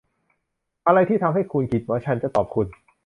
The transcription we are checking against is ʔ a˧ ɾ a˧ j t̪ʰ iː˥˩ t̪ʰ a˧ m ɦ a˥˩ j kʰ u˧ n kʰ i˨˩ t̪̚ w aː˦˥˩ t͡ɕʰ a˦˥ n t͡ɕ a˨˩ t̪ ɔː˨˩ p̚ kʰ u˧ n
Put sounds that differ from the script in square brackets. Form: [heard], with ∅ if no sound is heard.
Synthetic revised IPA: ʔ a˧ ɾ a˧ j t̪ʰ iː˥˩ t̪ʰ a˧ m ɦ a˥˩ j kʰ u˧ n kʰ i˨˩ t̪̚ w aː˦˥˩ t͡ɕʰ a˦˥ n t͡ɕ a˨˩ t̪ ɔː˨˩ p̚ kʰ u˧ n